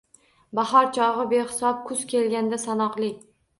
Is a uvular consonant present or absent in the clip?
present